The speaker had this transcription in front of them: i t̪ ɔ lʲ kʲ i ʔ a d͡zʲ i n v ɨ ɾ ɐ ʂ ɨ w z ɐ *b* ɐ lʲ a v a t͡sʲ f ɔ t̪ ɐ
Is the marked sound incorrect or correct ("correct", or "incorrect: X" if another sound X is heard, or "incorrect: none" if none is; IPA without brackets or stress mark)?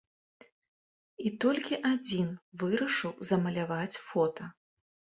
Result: incorrect: m